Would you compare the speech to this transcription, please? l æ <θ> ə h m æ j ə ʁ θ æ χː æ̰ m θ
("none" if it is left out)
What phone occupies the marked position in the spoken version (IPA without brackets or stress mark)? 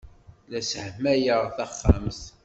s